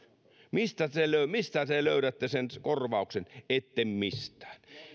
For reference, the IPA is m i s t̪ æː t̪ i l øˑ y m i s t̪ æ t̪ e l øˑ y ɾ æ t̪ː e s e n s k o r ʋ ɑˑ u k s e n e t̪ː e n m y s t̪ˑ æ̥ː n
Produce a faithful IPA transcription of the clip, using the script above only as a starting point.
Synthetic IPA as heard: m i s t̪ æ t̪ e l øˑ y m i s t̪ æ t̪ e l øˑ y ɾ æ t̪ː e s e n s k o r ʋ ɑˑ u k s e n e t̪ː e m m i s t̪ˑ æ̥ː n